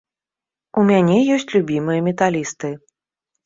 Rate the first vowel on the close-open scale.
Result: close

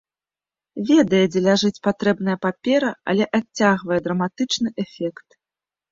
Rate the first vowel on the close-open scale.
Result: mid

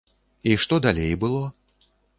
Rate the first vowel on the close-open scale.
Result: close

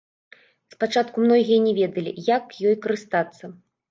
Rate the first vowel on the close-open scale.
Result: open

